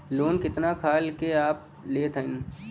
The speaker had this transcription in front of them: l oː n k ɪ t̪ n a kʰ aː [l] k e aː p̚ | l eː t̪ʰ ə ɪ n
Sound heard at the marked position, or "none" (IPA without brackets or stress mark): l